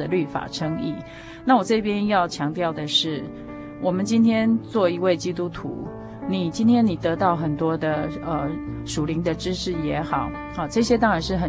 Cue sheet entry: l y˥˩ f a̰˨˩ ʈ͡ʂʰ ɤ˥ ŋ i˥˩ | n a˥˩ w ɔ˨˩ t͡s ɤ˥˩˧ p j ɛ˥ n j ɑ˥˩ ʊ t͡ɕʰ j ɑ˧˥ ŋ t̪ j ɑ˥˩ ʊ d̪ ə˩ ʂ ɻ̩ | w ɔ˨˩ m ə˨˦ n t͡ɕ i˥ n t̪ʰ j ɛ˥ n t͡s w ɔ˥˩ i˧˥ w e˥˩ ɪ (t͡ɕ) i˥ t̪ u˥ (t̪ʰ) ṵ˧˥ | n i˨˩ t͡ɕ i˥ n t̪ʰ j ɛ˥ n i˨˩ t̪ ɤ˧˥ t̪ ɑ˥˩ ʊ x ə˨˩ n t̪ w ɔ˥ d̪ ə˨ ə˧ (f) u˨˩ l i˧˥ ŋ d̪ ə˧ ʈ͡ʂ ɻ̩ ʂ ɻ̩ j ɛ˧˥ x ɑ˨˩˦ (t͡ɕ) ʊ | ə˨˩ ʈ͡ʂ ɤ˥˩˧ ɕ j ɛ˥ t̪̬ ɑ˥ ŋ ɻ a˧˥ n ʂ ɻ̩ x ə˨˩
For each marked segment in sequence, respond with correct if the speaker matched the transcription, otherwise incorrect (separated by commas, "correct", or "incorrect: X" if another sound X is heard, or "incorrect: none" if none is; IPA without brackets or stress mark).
correct, correct, incorrect: ʂ, incorrect: none